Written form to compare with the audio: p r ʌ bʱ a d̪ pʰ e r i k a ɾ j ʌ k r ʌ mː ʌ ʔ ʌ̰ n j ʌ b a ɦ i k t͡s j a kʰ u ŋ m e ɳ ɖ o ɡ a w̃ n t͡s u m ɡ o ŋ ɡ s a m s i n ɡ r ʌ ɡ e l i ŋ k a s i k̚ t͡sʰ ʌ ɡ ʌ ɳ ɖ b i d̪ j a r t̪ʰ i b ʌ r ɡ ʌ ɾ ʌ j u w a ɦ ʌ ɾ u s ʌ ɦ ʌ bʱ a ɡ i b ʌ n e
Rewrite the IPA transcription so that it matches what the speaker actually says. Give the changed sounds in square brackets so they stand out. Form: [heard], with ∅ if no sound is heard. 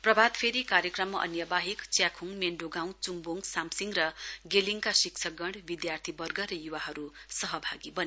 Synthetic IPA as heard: p r ʌ bʱ a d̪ pʰ e [ɾ] i k a ɾ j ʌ k r ʌ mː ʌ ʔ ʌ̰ n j ʌ b a ɦ i k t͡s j a kʰ u ŋ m e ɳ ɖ o ɡ a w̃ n t͡s u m [b] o ŋ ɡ s a m s i [ŋ] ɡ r ʌ ɡ e l i ŋ k a s i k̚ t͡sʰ ʌ ɡ ʌ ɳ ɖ b i d̪ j a r t̪ʰ i b ʌ r ɡ ʌ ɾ ʌ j u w a ɦ ʌ ɾ u s ʌ ɦ ʌ bʱ a ɡ i b ʌ n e